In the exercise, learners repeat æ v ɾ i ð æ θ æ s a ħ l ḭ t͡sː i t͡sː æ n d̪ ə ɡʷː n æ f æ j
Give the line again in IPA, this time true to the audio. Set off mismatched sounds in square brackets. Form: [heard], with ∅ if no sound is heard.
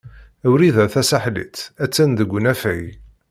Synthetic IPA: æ [w] ɾ i ð æ θ æ s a ħ l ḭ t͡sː [æ] t͡sː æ n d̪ ə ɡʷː n æ f æ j